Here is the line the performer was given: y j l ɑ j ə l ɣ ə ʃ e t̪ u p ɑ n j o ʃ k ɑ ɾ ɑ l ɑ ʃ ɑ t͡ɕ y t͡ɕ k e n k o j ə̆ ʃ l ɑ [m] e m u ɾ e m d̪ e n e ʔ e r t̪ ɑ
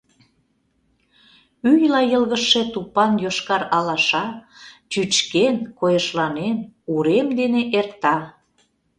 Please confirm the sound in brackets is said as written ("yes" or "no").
no